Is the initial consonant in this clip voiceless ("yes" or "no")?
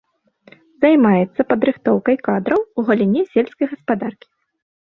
no